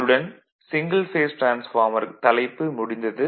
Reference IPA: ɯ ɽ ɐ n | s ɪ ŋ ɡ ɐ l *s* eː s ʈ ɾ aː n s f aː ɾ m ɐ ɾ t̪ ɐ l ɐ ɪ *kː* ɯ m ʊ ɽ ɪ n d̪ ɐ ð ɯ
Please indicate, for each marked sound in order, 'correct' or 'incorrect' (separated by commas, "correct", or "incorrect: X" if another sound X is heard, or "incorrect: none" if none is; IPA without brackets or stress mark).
incorrect: f, incorrect: pː